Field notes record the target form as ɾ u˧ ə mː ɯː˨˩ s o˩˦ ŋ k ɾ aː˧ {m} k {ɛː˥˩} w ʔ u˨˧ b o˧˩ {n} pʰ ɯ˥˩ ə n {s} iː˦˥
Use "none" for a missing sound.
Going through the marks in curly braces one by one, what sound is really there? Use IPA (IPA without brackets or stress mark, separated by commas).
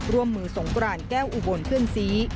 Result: n, ɛː˥˩, n, s